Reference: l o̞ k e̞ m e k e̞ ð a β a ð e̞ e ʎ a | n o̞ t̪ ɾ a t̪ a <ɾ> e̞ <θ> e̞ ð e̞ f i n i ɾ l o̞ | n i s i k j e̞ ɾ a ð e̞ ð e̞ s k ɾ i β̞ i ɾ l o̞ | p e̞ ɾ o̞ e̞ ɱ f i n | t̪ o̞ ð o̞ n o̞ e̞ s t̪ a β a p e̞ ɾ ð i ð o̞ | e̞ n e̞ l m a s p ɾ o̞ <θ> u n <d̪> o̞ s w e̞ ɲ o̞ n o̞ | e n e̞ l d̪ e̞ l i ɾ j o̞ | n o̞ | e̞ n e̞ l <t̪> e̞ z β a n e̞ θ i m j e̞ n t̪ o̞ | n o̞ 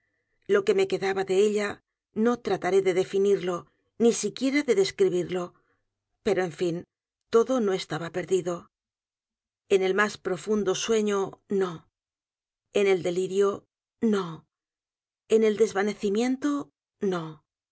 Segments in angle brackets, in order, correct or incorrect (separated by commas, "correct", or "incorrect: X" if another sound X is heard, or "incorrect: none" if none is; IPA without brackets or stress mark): correct, incorrect: ð, incorrect: f, correct, incorrect: d̪